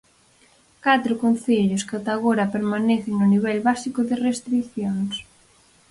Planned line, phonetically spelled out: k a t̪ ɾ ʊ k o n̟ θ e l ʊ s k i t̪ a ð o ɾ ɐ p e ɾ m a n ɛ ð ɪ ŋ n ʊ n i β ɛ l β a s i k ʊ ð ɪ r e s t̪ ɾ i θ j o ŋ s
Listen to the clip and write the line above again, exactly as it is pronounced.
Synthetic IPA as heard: k a t̪ ɾ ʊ k o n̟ θ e ʎ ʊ s k a t̪ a ɣ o ɾ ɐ p e ɾ m a n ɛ θ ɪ ŋ n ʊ n i β ɛ l β a s i k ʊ ð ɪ r e s t̪ ɾ i θ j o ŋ s